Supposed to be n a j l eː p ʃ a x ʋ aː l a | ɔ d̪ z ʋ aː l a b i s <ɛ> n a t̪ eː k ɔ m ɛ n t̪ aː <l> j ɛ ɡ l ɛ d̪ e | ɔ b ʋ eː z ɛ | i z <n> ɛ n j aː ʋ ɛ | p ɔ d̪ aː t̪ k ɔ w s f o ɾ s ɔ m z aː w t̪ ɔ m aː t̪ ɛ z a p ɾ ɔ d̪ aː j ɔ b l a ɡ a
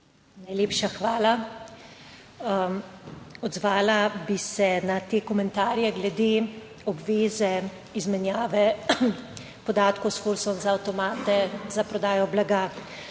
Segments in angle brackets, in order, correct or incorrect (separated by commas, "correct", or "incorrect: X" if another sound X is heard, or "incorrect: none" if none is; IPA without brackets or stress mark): correct, incorrect: ɾ, incorrect: m